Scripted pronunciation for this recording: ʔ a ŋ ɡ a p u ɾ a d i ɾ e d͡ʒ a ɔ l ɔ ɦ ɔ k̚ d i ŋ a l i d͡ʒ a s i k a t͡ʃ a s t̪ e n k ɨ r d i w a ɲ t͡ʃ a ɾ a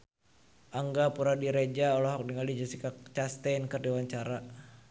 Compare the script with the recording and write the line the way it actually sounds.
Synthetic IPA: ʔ a ŋ ɡ a p u ɾ a d i ɾ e d͡ʒ a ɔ l ɔ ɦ ɔ k̚ d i ŋ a l i d͡ʒ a s i k a t͡ʃ a s t̪ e n k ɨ r d i w a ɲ t͡ʃ a ɾ a